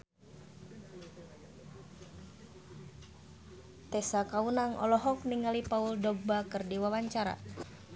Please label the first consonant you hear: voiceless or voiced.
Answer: voiceless